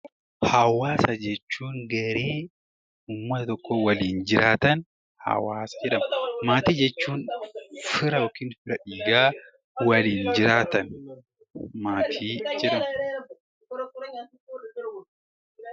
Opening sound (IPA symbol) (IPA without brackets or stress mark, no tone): h